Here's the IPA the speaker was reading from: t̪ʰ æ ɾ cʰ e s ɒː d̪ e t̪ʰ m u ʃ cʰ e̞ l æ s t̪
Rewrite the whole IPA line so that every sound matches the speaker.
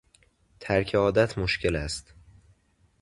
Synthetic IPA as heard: t̪ʰ æ ɾ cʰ e ɒː d̪ æ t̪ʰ m o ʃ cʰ e̞ l æ s t̪